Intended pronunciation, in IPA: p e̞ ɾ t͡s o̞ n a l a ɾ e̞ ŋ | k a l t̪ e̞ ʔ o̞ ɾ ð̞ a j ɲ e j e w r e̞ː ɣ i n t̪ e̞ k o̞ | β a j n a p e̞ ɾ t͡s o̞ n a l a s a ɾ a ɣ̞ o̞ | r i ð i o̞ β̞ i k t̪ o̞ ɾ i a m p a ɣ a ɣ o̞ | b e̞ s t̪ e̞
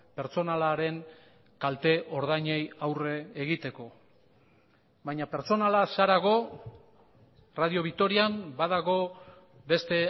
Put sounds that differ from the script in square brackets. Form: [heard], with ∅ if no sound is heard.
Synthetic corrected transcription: p e̞ ɾ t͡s o̞ n a l a ɾ e̞ ŋ | k a l t̪ e̞ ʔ o̞ ɾ ð̞ a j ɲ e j [a] w r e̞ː ɣ i [∅] t̪ e̞ k o̞ | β a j [ɲ] a p e̞ ɾ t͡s o̞ n a l a s a ɾ a ɣ̞ o̞ | r [a] ð i o̞ β̞ i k t̪ o̞ ɾ i a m [b] a [ð] a ɣ o̞ | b e̞ s t̪ e̞